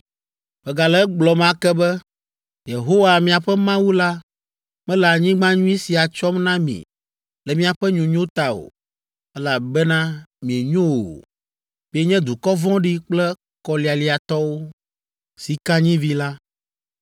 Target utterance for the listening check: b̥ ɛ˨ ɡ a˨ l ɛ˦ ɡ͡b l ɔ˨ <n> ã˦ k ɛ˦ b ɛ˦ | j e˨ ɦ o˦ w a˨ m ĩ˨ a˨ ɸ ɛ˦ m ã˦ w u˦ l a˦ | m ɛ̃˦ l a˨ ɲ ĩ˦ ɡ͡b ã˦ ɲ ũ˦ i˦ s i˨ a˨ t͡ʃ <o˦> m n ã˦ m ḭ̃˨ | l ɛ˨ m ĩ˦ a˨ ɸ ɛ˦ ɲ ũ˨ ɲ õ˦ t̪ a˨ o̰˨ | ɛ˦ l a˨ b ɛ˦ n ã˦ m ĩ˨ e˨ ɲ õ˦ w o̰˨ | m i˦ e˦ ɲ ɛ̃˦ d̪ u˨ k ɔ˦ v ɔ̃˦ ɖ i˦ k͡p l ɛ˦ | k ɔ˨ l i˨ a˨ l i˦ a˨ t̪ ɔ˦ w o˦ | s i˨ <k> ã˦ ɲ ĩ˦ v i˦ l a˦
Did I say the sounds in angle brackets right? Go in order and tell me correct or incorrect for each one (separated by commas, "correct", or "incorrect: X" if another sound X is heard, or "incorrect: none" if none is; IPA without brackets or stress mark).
incorrect: m, incorrect: ɔ˦, correct